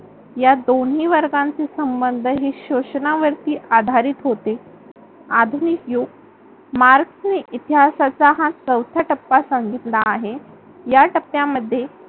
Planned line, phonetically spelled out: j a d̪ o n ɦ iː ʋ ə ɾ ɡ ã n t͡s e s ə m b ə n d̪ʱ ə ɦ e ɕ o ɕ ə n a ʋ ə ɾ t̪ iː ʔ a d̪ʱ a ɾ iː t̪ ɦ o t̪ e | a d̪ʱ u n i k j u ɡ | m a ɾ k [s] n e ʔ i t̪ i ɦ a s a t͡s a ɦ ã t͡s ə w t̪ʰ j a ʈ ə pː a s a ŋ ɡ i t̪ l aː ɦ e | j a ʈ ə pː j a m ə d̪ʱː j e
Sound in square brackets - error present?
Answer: no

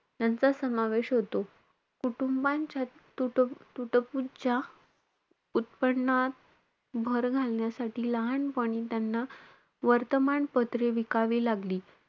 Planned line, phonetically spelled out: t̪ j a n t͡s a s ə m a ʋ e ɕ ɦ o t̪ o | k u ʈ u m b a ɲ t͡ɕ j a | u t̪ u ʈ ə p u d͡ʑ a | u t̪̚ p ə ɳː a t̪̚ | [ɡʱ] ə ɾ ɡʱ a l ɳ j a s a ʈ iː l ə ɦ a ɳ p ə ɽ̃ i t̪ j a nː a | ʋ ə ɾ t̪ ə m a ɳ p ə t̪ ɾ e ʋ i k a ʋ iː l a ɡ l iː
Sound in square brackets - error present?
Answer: yes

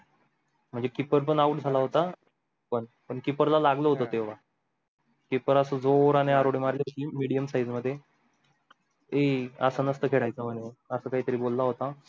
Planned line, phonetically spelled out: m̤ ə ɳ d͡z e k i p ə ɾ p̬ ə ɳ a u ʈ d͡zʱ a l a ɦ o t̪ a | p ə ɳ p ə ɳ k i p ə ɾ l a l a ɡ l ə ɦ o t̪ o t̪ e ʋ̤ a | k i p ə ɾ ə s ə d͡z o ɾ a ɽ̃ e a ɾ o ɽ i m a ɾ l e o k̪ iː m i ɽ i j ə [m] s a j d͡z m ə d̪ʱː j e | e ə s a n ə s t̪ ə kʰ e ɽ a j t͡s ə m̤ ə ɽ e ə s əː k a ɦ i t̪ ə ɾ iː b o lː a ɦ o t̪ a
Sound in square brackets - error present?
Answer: no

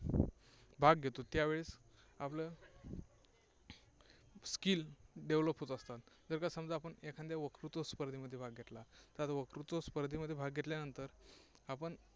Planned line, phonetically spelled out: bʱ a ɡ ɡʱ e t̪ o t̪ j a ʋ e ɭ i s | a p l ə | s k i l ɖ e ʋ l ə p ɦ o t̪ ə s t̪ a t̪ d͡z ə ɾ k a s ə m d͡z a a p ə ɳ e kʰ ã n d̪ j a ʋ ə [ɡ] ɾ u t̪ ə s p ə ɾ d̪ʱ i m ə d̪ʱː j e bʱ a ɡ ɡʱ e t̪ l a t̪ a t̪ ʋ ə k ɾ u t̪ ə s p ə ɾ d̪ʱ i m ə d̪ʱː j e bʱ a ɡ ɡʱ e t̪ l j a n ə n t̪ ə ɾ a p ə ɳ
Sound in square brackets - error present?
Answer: yes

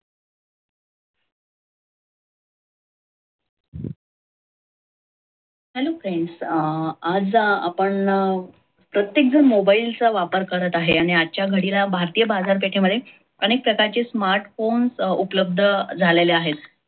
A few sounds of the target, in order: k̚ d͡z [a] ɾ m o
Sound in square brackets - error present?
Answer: yes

